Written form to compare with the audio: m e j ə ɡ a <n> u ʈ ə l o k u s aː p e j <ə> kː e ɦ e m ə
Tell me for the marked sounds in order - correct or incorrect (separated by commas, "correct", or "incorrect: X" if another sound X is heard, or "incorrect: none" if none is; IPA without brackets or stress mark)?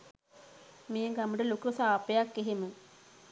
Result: incorrect: m, incorrect: a